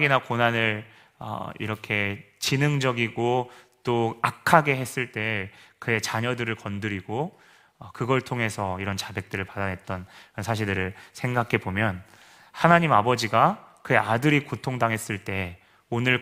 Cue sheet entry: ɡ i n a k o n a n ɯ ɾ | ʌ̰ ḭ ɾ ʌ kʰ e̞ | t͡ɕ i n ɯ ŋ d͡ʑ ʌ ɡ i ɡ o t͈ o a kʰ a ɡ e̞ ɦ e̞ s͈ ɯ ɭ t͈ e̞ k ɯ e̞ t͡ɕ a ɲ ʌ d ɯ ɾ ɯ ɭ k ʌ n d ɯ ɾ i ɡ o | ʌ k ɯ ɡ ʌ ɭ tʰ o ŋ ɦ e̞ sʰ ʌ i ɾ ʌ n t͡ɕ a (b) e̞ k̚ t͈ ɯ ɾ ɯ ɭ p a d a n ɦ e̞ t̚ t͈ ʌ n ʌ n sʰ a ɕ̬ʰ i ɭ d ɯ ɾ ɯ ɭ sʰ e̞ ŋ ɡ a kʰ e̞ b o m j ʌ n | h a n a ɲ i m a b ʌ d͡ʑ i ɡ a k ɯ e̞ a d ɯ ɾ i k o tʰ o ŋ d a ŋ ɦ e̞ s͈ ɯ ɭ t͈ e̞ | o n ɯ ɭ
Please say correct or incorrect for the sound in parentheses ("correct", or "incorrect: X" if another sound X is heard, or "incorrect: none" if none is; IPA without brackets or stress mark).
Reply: correct